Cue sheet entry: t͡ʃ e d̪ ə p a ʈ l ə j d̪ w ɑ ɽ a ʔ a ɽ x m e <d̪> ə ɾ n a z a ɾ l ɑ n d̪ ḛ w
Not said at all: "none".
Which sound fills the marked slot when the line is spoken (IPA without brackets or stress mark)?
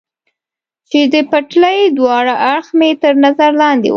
t̪